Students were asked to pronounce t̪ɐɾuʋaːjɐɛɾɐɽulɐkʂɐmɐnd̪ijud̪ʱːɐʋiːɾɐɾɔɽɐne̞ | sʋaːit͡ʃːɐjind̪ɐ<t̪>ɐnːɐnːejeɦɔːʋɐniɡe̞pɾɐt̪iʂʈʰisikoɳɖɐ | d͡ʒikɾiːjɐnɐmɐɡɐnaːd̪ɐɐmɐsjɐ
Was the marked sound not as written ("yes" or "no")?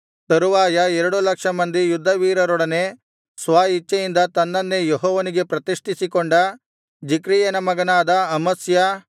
no